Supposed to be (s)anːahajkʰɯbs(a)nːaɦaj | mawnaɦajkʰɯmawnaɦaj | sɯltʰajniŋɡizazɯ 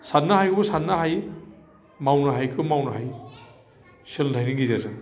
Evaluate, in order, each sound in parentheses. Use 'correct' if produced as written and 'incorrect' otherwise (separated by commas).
correct, correct